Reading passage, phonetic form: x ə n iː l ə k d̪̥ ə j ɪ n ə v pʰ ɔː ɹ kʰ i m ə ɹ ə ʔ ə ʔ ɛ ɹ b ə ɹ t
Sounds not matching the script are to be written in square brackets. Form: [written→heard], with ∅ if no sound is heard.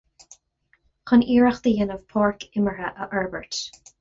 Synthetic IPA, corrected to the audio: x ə n iː [l→ɹ] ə [k→x] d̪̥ ə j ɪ n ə v pʰ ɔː ɹ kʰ [i→ɪ] m ə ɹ ə ʔ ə ʔ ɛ ɹ b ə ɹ t